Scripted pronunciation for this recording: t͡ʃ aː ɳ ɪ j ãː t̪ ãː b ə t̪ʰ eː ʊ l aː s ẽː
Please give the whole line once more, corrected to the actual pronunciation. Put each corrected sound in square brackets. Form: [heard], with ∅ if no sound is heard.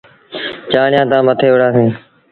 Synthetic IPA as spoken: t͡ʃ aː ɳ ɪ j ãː t̪ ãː [m] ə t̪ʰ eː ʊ [ɽ] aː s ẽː